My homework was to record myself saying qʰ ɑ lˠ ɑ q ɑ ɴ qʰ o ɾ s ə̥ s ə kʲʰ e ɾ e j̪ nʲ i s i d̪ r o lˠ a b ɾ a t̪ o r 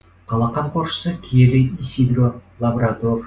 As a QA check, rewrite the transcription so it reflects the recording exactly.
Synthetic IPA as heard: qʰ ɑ lˠ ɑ q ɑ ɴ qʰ o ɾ ʃ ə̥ s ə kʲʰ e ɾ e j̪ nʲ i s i d̪ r o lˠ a b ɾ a t̪ o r